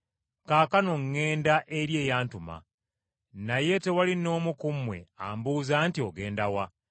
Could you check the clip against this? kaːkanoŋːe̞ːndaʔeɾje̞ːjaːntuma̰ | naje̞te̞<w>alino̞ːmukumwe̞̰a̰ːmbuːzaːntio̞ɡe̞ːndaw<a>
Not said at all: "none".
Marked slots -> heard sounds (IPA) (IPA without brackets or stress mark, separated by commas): w, a